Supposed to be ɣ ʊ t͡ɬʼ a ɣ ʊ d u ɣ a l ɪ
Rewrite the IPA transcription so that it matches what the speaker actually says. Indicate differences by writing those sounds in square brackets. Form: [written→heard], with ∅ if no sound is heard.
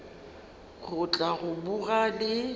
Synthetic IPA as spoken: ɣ ʊ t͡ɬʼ a ɣ ʊ [d→b] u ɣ a l ɪ